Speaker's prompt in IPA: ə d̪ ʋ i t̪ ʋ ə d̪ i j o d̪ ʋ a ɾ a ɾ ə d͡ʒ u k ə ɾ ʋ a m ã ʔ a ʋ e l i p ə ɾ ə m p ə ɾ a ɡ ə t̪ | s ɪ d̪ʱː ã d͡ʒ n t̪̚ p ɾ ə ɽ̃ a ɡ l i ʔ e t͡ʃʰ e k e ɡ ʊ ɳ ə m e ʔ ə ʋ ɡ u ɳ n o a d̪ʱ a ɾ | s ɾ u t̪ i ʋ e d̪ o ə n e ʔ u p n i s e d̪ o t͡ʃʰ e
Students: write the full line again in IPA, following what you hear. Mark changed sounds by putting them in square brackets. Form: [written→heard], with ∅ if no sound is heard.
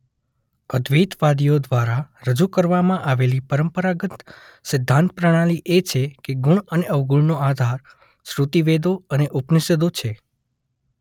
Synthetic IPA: ə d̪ ʋ i t̪ ʋ [ə→a] d̪ i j o d̪ ʋ a ɾ a ɾ ə d͡ʒ u k ə ɾ ʋ a m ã ʔ a ʋ e l i p ə ɾ ə m p ə ɾ a ɡ ə t̪ | s ɪ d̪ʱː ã [d͡ʒ→∅] n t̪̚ p ɾ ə ɽ̃ a [ɡ→∅] l i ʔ e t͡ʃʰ e k e ɡ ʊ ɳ ə [m→n] e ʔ ə ʋ ɡ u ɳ n o a d̪ʱ a ɾ | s ɾ u t̪ i ʋ e d̪ o ə n e ʔ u p n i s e d̪ o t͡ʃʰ e

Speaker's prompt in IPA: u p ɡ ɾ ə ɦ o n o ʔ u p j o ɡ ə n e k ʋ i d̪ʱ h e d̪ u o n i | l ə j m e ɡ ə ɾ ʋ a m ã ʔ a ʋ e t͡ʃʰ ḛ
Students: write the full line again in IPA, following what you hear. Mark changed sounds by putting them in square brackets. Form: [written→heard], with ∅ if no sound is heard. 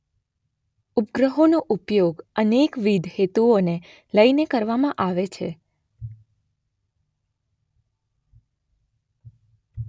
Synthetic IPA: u p ɡ ɾ ə ɦ o n o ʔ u p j o ɡ ə n e k ʋ i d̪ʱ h e [d̪→t̪] u o n [i→e] | l ə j [m→n] e [ɡ→k] ə ɾ ʋ a m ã ʔ a ʋ e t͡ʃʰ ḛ

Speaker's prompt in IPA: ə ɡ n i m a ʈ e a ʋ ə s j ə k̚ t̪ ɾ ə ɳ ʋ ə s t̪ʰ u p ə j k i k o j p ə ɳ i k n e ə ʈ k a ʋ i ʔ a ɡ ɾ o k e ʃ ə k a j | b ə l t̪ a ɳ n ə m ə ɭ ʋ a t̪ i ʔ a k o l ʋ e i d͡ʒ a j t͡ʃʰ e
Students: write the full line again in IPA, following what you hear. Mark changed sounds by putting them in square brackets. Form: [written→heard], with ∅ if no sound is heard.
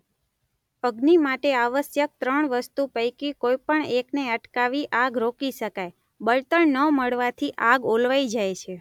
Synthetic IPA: ə ɡ n i m a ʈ e a ʋ ə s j ə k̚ t̪ ɾ ə ɳ ʋ ə s [t̪ʰ→t̪] u p ə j k i k o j p ə ɳ [i→e] k n e ə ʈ k a ʋ i ʔ a ɡ ɾ o k [e→i] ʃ ə k a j | b ə l t̪ [a→ə] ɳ n ə m ə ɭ ʋ a [t̪→t̪ʰ] i ʔ a [k→ɡ] o l ʋ [e→a] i d͡ʒ a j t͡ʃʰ e

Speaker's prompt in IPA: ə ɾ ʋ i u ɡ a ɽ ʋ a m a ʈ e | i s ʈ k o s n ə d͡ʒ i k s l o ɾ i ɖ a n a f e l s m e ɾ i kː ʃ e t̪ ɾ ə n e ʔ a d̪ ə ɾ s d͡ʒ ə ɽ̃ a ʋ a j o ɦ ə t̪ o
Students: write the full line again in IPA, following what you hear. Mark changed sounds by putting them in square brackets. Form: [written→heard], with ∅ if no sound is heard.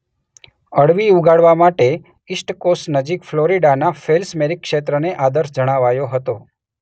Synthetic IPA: ə [ɾ→ɽ] ʋ i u ɡ a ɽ ʋ a m a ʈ e | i s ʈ k o s n ə d͡ʒ i k [s→f] l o ɾ i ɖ a n a f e l s m e ɾ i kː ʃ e t̪ ɾ ə n e ʔ a d̪ ə ɾ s d͡ʒ ə ɽ̃ a ʋ a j o ɦ ə t̪ o

